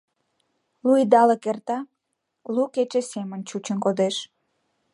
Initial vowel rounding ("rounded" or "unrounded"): rounded